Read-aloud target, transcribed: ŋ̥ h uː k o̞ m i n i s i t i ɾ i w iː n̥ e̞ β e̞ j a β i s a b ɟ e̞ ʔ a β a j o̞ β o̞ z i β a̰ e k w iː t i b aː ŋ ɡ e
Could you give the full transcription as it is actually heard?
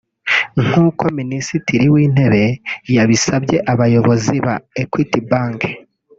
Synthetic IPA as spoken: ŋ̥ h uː k o̞ m i n i s i t i ɾ i w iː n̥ e̞ β e̞ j a β i s a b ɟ e̞ ʔ a β a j o̞ β o̞ z i β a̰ e k w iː t i b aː ŋ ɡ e